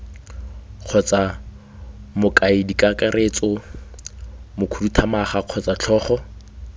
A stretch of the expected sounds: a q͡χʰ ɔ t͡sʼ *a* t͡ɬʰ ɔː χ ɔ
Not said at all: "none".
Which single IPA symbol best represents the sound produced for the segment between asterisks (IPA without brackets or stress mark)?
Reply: a